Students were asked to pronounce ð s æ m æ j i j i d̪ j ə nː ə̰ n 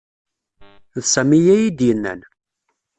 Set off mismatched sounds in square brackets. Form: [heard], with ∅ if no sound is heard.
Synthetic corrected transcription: ð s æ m [i] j [æ] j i d̪ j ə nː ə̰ n